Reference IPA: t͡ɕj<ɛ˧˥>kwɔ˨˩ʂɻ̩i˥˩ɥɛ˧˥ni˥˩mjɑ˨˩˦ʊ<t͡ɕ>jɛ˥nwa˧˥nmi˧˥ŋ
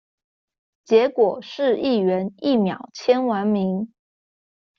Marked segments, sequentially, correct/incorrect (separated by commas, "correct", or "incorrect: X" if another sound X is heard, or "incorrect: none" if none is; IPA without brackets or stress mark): correct, incorrect: t͡ɕʰ